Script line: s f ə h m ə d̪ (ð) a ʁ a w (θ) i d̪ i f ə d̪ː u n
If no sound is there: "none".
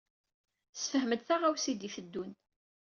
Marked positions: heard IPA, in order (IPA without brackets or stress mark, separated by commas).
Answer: θ, s